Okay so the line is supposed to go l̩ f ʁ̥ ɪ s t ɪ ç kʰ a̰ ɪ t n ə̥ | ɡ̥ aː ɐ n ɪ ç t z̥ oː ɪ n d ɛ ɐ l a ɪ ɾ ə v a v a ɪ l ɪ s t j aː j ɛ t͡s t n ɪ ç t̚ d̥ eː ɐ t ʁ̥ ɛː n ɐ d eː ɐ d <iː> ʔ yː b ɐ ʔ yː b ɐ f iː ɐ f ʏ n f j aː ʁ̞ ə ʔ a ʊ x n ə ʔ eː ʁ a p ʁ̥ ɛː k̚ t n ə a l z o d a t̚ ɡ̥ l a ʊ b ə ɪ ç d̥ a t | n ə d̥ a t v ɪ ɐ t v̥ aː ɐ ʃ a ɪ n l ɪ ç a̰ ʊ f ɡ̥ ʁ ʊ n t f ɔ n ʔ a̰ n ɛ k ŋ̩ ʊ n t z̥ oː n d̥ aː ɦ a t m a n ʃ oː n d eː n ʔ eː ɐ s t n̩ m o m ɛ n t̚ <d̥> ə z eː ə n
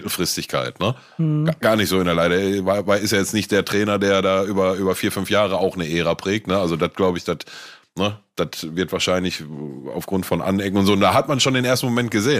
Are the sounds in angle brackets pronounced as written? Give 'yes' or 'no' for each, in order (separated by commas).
no, no